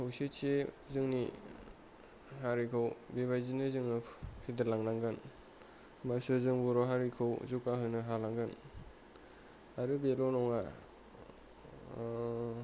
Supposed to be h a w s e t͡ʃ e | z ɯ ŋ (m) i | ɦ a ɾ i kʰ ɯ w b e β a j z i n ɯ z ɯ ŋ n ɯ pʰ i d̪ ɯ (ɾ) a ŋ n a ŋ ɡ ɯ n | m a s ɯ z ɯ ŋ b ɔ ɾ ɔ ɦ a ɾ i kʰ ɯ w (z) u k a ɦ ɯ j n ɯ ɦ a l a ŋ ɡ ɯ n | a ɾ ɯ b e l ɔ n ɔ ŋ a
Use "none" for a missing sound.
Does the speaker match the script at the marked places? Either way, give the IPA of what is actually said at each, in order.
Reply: n, l, z

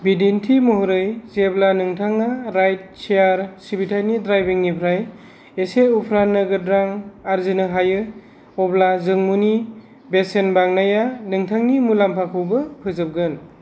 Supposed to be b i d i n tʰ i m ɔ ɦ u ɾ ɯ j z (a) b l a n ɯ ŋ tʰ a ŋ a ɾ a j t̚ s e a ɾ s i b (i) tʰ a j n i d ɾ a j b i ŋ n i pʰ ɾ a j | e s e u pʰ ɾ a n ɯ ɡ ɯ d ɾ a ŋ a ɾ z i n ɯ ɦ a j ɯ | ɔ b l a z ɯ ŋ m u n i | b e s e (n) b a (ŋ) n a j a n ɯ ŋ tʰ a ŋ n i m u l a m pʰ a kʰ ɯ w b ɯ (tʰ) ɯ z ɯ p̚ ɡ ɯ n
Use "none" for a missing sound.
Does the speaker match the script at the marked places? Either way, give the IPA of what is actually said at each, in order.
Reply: e, i, n, ŋ, pʰ

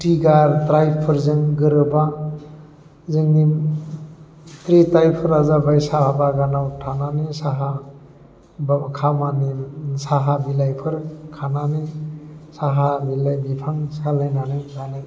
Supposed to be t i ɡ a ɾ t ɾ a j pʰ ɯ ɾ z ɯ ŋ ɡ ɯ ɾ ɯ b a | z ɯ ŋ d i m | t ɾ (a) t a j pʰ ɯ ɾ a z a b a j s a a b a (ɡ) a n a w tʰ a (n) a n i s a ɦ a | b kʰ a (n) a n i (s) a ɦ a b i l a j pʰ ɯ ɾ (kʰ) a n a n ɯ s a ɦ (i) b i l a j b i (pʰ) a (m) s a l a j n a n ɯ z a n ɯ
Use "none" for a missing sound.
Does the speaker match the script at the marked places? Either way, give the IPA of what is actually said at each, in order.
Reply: i, ɡ, n, m, s, kʰ, a, pʰ, ŋ

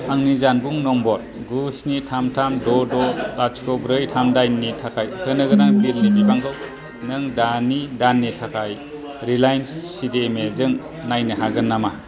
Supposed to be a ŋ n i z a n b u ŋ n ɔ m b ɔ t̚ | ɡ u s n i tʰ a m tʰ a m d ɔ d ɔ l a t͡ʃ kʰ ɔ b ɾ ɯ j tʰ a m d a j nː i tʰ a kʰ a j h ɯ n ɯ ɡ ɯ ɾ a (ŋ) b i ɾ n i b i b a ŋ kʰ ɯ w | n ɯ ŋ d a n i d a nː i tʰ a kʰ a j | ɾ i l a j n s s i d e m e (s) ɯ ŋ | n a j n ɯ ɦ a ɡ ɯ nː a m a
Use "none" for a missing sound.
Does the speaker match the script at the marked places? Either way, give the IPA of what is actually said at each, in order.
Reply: ŋ, z

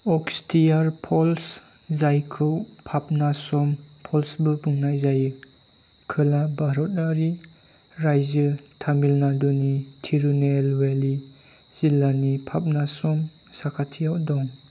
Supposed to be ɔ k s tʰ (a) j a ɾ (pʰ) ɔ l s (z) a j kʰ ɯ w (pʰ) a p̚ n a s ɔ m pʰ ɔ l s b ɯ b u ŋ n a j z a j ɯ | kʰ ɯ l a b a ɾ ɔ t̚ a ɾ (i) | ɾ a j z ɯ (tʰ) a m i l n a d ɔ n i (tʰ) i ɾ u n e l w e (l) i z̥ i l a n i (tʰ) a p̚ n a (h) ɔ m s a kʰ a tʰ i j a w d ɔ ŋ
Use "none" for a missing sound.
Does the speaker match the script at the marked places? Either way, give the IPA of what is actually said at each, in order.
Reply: i, pʰ, z, pʰ, i, tʰ, tʰ, l, pʰ, s

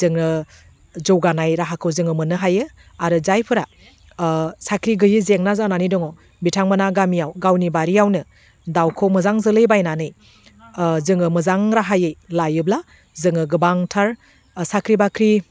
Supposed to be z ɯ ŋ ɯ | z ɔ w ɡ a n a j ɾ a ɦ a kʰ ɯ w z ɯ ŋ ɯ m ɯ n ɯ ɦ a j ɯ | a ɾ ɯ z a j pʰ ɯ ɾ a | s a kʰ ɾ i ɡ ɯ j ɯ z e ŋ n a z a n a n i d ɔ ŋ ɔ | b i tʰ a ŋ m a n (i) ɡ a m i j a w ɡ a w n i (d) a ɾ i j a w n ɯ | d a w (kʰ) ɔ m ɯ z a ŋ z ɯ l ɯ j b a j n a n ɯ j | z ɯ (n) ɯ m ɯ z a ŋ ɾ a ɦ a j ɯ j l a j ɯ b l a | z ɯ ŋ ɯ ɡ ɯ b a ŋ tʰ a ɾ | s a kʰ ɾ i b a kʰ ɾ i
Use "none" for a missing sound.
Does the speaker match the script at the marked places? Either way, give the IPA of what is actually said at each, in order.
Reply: a, b, kʰ, ŋ

